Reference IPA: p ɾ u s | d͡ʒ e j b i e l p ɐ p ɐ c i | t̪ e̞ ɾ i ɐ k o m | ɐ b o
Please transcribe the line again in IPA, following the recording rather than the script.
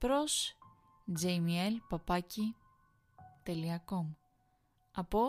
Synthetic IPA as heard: p ɾ o s | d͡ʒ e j m i e l p ɐ p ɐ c i | t̪ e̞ l i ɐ k o m | ɐ p o